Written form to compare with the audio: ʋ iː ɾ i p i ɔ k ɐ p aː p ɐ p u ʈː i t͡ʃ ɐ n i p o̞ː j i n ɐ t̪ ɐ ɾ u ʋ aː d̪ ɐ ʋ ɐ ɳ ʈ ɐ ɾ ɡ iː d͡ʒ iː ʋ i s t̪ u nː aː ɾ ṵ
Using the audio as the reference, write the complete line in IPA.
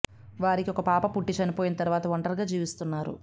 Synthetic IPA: ʋ aː ɾ i k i ɔ k ɐ p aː p ɐ p u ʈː i t͡ʃ ɐ n i p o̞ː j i n ɐ t̪ ɐ ɾ u ʋ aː t̪ ɐ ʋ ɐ ɳ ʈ ɐ ɾ ɡ aː d͡ʒ iː ʋ i s t̪ u nː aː ɾ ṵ

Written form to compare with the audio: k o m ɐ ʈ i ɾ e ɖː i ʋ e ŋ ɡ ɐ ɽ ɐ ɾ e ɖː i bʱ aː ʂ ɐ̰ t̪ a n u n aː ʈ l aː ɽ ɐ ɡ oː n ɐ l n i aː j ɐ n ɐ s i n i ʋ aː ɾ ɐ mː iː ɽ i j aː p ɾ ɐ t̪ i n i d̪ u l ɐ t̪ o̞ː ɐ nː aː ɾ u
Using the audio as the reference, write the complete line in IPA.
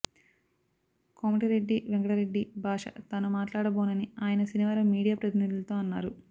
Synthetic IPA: k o m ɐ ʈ i ɾ e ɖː i ʋ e ŋ ɡ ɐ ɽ ɐ ɾ e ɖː i bʱ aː ʂ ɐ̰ t̪ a n u m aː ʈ l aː ɽ ɐ b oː n ɐ n i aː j ɐ n ɐ s i n i ʋ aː ɾ ɐ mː iː ɽ i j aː p ɾ ɐ t̪ i n i d̪ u l ɐ t̪ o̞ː ɐ nː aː ɾ u

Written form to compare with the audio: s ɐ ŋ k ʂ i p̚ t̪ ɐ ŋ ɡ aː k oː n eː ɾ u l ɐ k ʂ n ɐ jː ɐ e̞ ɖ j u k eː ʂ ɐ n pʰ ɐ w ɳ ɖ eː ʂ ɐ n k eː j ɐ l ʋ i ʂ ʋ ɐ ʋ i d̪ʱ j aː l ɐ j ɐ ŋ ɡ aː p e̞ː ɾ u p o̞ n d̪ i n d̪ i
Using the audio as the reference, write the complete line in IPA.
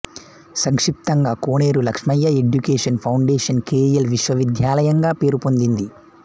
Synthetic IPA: s ɐ ŋ k ʂ i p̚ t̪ ɐ ŋ ɡ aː k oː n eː ɾ u l ɐ k ʂ m ɐ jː ɐ e̞ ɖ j u k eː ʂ ɐ n pʰ ɐ w ɳ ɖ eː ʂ ɐ n k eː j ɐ l ʋ i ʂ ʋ ɐ ʋ i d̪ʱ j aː l ɐ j ɐ ŋ ɡ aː p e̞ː ɾ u p o̞ n d̪ i n d̪ i

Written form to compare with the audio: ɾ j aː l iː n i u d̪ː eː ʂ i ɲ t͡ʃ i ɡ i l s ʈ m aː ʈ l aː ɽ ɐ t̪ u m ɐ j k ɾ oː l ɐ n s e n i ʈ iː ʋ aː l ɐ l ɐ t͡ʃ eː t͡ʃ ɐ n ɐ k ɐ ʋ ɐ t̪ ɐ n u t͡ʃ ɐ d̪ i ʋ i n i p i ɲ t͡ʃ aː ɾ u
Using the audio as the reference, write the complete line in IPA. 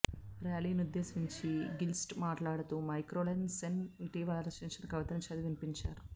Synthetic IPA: ɾ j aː l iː n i u d̪ː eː s i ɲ t͡ʃ i ɡ i l s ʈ m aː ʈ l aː ɽ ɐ t̪ u m ɐ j k ɾ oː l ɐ n s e n i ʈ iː ʋ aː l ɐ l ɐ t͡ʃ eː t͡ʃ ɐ n ɐ k ɐ ʋ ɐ t̪ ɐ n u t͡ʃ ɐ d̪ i ʋ i n i p i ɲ t͡ʃ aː ɾ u

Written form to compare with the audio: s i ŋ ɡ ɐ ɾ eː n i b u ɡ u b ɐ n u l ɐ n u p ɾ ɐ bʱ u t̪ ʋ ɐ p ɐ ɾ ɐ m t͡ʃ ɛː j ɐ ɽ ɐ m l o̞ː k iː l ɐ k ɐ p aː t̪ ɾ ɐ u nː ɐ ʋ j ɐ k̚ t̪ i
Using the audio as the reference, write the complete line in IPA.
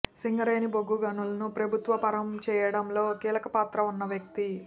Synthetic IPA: s i ŋ ɡ ɐ ɾ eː n i b o ɡ u ɡ ɐ n u l ɐ n u p ɾ ɐ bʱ u t̪ ʋ ɐ p ɐ ɾ ɐ m t͡ʃ ɛː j ɐ ɽ ɐ m l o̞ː k iː l ɐ k ɐ p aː t̪ ɾ ɐ u nː ɐ ʋ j ɐ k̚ t̪ i

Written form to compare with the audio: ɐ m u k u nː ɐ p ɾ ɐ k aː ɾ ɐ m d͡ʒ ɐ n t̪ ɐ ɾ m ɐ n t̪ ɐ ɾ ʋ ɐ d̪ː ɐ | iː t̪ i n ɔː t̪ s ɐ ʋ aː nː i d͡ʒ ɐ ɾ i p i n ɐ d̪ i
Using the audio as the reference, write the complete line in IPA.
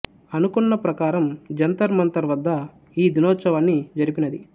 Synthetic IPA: ɐ n u k u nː ɐ p ɾ ɐ k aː ɾ ɐ m d͡ʒ ɐ n t̪ ɐ ɾ m ɐ n t̪ ɐ ɾ ʋ ɐ d̪ː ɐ | iː d̪ i n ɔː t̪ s ɐ ʋ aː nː i d͡ʒ ɐ ɾ i p i n ɐ d̪ i

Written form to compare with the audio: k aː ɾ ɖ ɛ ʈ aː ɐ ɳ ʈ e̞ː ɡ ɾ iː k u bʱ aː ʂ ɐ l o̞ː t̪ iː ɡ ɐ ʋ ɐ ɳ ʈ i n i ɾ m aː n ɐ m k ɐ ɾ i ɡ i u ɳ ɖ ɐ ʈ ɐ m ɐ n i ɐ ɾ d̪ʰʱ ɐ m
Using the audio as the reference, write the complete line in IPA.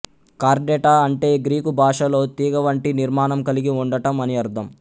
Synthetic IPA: k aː ɾ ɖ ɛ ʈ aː ɐ ɳ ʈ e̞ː ɡ ɾ iː k u bʱ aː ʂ ɐ l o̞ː t̪ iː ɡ ɐ ʋ ɐ ɳ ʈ i n i ɾ m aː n ɐ m k ɐ l i ɡ i u ɳ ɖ ɐ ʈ ɐ m ɐ n i ɐ ɾ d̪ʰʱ ɐ m

